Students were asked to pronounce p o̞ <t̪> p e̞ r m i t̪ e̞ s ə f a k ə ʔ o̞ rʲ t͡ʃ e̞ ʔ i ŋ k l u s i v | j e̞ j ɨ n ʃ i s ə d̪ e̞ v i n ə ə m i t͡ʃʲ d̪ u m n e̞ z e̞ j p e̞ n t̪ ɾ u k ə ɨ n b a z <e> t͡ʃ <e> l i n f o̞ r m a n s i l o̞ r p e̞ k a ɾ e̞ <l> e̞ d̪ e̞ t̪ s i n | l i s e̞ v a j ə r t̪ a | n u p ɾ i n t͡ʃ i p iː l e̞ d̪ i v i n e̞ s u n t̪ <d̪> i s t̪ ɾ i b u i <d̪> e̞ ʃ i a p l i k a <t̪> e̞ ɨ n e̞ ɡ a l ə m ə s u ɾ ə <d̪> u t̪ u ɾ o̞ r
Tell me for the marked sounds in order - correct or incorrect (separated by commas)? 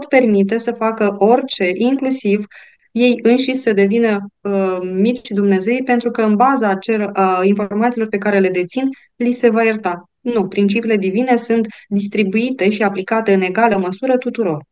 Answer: correct, incorrect, correct, correct, correct, incorrect, correct, incorrect